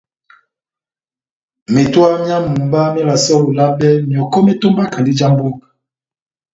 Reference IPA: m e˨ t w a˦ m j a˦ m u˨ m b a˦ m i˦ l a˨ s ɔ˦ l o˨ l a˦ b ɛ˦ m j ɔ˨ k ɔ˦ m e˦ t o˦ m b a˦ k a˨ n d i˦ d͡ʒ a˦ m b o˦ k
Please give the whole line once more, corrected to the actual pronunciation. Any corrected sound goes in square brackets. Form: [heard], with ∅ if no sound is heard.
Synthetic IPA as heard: m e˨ t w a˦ m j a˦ m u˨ m b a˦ m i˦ l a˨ s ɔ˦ l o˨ l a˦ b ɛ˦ m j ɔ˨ k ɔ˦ m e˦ t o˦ m b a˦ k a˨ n d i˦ d͡ʒ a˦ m b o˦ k